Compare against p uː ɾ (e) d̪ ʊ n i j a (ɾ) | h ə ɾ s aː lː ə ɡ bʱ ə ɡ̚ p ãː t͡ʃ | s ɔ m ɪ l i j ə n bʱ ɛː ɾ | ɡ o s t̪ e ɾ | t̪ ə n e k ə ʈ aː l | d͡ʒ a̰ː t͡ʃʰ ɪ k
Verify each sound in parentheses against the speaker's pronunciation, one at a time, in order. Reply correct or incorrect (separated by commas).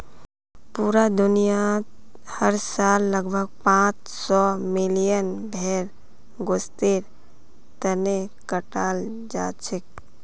incorrect, incorrect